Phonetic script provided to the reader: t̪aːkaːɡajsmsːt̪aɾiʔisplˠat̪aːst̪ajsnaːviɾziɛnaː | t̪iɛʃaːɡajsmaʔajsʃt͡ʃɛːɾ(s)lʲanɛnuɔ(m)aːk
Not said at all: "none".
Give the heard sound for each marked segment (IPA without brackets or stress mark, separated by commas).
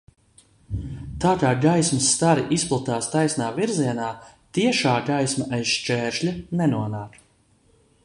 ʃ, n